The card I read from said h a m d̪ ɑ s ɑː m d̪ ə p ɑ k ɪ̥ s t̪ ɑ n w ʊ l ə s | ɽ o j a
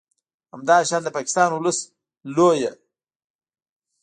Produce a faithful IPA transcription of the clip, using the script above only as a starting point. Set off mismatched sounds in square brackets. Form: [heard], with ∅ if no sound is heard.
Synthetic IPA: h a m d̪ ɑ [ʃ] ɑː [n] d̪ ə p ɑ k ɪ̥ s t̪ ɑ n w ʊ l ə s | [l] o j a